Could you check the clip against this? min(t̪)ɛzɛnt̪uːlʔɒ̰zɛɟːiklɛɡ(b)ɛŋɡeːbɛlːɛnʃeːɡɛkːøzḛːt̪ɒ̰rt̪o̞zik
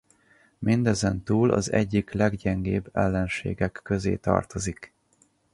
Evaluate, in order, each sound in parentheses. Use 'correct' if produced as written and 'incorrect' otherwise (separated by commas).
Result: incorrect, incorrect